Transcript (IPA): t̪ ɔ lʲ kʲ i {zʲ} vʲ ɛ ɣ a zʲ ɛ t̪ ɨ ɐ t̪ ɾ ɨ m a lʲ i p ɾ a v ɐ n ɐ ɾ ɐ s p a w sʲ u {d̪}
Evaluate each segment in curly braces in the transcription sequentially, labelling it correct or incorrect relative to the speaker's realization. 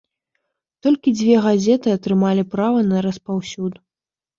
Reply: incorrect: d͡zʲ, correct

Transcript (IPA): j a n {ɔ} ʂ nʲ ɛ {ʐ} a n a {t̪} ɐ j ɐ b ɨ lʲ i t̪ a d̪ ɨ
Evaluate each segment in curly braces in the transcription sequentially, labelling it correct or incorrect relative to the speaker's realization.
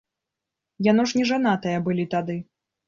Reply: correct, correct, correct

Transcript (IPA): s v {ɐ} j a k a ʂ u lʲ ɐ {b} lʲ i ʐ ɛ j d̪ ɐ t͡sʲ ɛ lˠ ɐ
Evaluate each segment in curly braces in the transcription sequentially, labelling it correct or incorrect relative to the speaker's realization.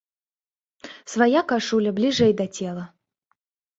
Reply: incorrect: a, correct

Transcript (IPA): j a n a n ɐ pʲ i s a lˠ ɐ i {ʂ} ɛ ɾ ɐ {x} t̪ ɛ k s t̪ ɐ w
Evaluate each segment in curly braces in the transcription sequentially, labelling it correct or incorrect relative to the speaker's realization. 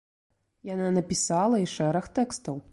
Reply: correct, correct

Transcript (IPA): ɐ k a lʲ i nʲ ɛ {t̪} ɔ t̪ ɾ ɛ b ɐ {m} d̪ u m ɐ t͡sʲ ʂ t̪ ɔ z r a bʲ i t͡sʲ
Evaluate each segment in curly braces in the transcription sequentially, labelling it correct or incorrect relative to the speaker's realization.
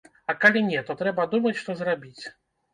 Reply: correct, incorrect: none

